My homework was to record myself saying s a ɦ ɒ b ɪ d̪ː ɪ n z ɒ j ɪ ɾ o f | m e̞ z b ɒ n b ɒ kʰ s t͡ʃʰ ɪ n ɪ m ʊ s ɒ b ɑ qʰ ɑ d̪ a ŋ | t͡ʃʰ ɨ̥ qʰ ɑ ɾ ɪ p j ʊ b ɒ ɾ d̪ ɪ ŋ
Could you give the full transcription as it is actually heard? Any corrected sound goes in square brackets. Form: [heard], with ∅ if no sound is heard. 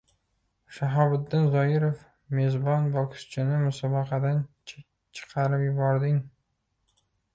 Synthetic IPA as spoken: [ʃ] a ɦ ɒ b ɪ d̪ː ɪ n z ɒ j ɪ ɾ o f | m e̞ z b ɒ n b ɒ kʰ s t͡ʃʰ ɪ n ɪ m ʊ s ɒ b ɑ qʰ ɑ d̪ a [n] | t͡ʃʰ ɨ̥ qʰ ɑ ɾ ɪ p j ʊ b ɒ ɾ d̪ ɪ ŋ

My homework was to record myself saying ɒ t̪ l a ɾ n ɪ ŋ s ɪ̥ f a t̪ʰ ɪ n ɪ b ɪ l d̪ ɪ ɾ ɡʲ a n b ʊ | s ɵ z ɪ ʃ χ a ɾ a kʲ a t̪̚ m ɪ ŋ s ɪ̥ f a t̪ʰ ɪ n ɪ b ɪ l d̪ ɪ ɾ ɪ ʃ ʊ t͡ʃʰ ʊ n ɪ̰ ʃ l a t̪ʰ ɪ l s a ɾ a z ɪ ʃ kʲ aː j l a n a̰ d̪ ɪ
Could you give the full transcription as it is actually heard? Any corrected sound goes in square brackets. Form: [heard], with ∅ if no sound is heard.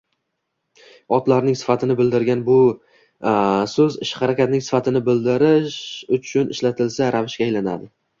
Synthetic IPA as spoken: ɒ t̪ l a ɾ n ɪ ŋ s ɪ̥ f a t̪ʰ ɪ n ɪ b ɪ l d̪ ɪ ɾ ɡʲ a n b ʊ | s ɵ z ɪ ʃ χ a ɾ a kʲ a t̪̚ [n] ɪ ŋ s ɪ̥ f a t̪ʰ ɪ n ɪ b ɪ l d̪ ɪ ɾ ɪ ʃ ʊ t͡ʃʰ ʊ n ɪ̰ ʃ l a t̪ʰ ɪ l s a ɾ a [v] ɪ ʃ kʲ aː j l a n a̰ d̪ ɪ

